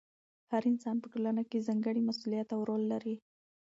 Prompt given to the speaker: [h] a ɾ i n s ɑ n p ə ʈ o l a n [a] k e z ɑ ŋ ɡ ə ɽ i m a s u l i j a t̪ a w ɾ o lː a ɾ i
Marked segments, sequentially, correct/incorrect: correct, correct

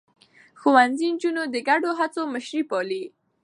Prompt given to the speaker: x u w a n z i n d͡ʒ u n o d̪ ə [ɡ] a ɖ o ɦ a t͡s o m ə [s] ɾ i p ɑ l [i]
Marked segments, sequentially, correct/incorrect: correct, incorrect: ʃ, correct

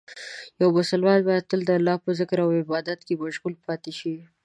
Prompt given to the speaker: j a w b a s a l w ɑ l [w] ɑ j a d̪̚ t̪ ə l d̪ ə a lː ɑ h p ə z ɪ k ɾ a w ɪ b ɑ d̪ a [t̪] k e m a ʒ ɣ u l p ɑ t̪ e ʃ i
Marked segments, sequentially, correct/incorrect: incorrect: b, correct

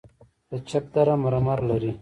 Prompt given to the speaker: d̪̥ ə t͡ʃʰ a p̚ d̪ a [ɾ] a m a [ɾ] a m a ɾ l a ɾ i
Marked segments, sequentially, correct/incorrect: correct, correct

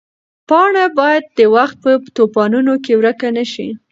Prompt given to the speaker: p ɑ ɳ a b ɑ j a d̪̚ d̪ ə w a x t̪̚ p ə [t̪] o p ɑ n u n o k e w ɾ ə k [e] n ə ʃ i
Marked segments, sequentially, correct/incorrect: correct, incorrect: a

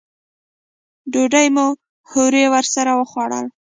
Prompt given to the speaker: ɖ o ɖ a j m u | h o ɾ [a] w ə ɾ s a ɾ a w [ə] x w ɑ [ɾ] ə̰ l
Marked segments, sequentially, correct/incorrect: incorrect: e, correct, incorrect: ɽ

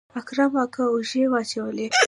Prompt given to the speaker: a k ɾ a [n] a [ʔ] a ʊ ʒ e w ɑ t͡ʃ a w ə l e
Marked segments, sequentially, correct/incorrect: incorrect: m, incorrect: k

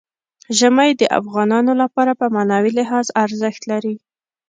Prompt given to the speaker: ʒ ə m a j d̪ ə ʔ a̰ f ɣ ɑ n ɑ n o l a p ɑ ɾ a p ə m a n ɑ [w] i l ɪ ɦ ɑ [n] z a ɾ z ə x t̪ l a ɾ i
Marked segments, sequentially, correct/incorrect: correct, incorrect: none

